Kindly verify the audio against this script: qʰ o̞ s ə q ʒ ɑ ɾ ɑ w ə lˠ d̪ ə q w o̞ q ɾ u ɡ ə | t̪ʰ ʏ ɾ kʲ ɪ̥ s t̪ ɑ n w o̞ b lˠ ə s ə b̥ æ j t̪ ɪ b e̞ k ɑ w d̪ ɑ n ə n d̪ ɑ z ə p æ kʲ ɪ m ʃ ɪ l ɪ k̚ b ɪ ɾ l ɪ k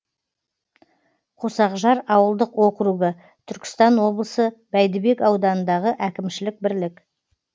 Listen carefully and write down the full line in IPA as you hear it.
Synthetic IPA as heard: qʰ o̞ s ɑ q ʒ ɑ ɾ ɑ w ə lˠ d̪ ə q w o̞ q ɾ u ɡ ə | t̪ʰ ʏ ɾ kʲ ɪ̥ s t̪ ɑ n w o̞ b lˠ ə s ə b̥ æ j d̪ ɪ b e̞ k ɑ w d̪ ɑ n ə n d̪ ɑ ʁ ə ʔ æ kʲ ɪ m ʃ ɪ l ɪ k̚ b ɪ ɾ l ɪ k